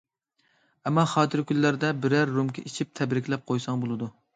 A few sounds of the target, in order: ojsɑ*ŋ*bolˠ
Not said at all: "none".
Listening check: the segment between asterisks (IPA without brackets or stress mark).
ŋ